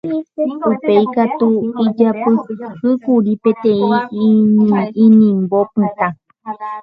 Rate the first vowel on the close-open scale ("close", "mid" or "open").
close